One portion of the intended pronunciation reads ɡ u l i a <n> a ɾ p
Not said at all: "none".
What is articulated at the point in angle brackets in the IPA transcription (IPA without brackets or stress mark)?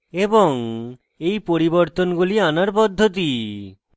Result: n